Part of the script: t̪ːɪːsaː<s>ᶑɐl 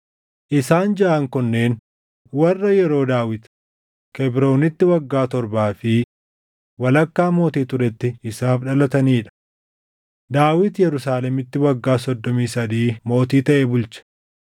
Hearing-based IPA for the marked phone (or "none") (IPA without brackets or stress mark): f